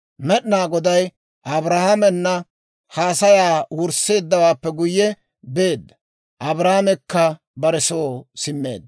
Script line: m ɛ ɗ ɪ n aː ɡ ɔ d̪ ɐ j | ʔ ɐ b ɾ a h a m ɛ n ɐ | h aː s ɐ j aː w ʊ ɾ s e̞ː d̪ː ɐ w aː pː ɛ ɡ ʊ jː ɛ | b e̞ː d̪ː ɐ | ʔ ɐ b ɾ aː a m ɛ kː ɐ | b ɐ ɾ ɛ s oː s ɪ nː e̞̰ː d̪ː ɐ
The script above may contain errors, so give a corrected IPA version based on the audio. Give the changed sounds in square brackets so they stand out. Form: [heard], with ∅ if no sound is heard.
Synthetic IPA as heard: m ɛ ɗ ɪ n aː ɡ ɔ d̪ ɐ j | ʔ ɐ b ɾ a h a m ɛ [nː] ɐ | h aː s ɐ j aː w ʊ ɾ s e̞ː d̪ː ɐ w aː pː ɛ ɡ ʊ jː ɛ | b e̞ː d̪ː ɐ | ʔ ɐ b ɾ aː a m ɛ kː ɐ | b ɐ ɾ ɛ s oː s ɪ [mː] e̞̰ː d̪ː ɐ